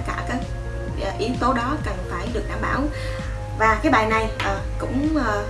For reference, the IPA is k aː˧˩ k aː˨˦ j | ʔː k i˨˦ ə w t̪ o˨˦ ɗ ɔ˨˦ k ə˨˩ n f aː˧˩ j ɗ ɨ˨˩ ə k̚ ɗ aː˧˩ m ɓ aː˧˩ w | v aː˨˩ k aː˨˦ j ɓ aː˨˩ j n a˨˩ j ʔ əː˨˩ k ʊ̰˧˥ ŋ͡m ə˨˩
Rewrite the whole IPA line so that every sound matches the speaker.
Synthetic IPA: k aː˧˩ k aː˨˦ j | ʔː ʔ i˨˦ ə w t̪ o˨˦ ɗ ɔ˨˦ k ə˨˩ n f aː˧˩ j ɗ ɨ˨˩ ə k̚ ɗ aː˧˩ m ɓ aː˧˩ w | v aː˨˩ k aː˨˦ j ɓ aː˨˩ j n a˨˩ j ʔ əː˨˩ k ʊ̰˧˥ ŋ͡m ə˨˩